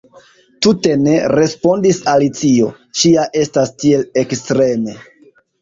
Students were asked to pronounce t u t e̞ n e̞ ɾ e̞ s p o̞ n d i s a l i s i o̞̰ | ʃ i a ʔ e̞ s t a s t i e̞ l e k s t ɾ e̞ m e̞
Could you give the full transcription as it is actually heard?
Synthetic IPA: t u t e̞ n e̞ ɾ e̞ s p o̞ n d i s a l i t͡s i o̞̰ | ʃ i a ʔ e̞ s t a s t i e̞ l e k s t ɾ e̞ m e̞